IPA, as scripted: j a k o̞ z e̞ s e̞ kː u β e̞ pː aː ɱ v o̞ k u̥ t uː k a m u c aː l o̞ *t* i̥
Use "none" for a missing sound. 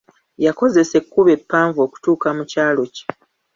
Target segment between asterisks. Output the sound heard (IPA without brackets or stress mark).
c